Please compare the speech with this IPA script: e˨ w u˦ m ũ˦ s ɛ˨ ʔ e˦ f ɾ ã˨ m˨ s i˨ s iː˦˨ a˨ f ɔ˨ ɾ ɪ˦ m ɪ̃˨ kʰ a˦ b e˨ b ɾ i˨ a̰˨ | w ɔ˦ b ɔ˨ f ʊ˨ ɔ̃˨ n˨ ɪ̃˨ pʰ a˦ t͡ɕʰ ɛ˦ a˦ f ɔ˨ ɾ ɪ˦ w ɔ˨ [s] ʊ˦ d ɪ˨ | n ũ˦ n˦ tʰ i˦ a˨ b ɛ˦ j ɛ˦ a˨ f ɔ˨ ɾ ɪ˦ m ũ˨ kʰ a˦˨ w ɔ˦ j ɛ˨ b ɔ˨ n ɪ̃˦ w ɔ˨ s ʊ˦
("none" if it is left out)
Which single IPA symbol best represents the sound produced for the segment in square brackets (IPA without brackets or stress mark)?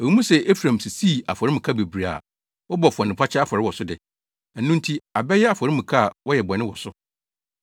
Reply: s